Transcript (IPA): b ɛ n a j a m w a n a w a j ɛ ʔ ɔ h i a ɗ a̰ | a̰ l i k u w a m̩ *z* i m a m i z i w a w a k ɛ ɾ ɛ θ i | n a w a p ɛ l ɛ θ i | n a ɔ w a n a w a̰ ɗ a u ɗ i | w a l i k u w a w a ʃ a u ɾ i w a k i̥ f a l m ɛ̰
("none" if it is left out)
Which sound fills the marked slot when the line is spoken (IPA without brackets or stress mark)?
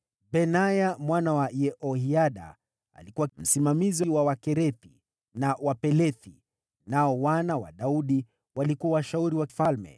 s